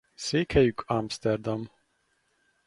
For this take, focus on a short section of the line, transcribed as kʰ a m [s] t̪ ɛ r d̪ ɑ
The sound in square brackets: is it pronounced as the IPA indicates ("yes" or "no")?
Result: yes